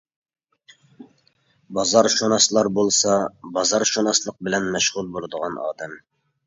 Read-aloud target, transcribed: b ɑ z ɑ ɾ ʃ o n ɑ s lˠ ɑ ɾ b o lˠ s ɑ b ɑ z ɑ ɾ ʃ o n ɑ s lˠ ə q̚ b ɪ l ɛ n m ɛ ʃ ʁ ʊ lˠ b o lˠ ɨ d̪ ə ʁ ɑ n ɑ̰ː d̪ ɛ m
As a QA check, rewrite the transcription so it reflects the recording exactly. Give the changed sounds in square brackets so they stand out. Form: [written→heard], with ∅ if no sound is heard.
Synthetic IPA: b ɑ z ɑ ɾ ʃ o n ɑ s lˠ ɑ ɾ b o lˠ s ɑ b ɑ z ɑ ɾ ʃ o n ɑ s lˠ ə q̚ b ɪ l ɛ n m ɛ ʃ ʁ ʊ lˠ b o lˠ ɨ d̪ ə ʁ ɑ n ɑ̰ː d̪ ɛ m